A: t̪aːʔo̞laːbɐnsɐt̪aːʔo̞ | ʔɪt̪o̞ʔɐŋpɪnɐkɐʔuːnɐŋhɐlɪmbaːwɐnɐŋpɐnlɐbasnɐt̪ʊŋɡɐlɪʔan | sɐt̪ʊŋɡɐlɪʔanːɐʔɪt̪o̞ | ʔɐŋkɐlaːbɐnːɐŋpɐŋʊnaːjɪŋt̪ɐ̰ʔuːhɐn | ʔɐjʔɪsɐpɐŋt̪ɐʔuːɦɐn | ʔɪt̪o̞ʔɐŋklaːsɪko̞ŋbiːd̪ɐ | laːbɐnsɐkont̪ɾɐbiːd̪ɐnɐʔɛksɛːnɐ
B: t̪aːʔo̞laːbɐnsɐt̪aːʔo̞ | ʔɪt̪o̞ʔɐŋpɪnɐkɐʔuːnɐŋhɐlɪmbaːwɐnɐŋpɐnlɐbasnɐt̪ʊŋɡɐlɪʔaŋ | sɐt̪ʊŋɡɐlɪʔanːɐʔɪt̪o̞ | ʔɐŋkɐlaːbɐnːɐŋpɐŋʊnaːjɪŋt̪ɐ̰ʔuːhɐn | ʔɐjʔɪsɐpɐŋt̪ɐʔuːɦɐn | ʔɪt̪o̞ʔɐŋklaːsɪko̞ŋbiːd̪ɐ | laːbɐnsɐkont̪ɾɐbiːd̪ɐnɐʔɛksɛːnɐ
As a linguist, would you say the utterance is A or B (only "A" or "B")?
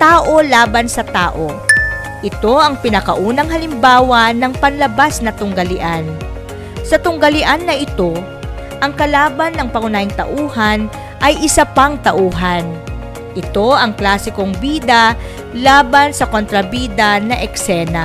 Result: A